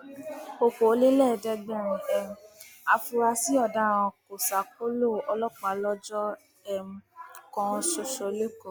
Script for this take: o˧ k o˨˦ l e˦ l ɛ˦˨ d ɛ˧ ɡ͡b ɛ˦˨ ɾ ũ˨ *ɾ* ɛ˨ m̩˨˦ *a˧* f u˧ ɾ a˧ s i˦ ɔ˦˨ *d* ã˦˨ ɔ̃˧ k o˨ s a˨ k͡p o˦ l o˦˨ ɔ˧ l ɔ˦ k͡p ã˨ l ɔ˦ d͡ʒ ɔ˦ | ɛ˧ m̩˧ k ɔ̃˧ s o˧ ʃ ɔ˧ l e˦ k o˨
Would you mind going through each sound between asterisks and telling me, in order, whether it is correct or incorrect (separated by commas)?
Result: incorrect, correct, correct